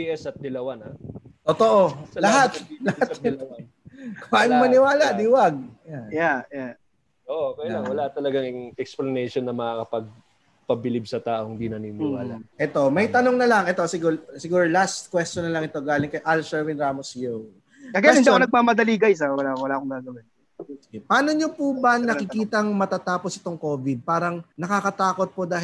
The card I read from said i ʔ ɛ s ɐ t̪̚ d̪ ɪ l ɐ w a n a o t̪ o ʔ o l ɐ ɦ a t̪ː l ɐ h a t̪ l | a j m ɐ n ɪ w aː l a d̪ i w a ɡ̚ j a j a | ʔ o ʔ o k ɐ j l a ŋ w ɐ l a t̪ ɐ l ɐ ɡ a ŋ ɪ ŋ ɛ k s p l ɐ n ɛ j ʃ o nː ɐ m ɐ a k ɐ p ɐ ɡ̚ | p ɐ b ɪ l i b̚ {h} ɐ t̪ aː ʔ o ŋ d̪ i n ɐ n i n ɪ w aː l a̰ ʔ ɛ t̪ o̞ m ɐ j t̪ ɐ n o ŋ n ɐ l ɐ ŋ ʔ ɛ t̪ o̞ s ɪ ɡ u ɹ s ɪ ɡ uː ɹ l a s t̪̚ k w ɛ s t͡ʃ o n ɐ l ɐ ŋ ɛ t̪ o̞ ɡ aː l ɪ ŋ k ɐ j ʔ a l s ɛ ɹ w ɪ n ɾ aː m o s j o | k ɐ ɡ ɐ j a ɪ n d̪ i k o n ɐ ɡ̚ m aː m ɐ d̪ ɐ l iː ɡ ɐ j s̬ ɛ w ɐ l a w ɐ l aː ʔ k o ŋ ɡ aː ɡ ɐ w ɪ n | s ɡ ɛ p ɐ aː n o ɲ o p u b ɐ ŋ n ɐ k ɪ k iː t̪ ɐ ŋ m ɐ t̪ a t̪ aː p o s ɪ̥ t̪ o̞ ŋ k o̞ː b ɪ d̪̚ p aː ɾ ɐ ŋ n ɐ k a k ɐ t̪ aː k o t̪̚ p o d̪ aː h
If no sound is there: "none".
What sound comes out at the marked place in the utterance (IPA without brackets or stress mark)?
s